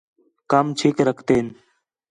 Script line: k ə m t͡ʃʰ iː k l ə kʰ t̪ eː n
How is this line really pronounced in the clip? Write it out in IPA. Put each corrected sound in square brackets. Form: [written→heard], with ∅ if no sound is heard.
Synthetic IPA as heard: k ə m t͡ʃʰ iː k [l→ɾ] ə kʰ t̪ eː n